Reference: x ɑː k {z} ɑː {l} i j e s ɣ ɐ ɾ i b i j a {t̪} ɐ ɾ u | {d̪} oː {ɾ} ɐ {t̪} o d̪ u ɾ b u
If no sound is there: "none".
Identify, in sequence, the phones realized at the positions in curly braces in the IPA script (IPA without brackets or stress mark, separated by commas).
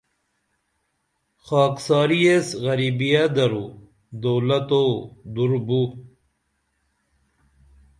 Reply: s, ɾ, d̪, d̪, l, t̪